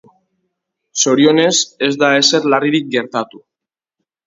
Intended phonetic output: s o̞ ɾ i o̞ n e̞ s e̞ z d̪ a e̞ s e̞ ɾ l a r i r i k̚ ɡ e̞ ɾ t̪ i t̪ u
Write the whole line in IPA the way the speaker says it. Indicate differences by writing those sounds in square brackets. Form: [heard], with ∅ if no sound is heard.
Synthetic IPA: s o̞ ɾ i o̞ n e̞ s e̞ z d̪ a e̞ s e̞ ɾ l a r i [ɾ] i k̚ ɡ e̞ ɾ t̪ [a] t̪ u